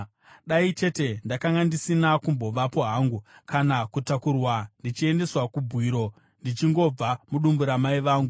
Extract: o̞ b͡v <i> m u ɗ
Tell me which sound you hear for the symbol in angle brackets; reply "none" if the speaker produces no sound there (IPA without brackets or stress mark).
a